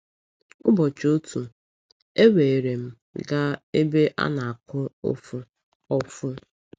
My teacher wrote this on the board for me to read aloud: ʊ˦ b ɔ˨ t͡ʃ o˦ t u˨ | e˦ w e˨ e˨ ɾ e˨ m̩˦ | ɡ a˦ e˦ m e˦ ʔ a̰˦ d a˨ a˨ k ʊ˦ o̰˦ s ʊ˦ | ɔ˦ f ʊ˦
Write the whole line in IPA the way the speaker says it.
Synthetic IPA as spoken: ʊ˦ b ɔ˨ t͡ʃ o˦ t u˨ | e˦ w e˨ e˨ ɾ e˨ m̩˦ | ɡ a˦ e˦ b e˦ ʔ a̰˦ n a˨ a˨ k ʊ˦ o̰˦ f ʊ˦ | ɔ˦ f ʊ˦